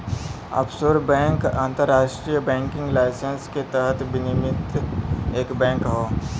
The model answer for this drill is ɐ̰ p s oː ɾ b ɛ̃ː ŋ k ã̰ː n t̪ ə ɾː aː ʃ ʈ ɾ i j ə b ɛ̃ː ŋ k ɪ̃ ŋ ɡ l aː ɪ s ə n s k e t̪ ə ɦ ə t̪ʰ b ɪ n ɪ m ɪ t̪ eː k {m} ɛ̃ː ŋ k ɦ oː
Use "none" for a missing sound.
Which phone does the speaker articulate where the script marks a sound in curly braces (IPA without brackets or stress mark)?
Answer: b